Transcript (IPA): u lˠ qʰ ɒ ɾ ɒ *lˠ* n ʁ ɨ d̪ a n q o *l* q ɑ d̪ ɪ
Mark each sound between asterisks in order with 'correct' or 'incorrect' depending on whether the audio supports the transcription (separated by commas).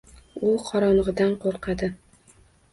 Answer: incorrect, incorrect